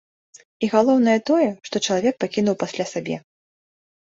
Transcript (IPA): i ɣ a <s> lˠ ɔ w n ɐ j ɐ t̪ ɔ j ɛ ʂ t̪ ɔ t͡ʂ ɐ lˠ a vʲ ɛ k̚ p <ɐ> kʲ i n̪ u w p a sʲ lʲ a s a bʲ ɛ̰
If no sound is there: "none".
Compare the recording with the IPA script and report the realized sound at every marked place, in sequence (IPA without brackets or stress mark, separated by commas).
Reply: none, a